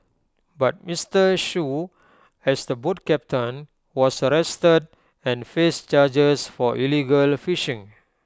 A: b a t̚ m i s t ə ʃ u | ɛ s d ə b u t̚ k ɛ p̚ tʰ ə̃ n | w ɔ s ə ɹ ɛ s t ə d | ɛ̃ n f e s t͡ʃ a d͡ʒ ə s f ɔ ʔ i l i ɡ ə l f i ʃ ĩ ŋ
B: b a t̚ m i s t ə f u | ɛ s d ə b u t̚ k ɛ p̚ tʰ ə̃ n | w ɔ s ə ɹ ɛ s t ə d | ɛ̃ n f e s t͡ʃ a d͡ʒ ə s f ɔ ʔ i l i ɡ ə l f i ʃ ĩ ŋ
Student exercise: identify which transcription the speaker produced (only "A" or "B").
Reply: A